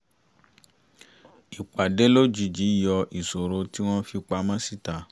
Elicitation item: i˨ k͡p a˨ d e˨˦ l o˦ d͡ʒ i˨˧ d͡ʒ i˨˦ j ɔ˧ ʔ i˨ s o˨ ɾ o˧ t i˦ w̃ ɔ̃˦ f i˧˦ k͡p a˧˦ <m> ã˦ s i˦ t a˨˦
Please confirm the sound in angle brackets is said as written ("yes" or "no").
yes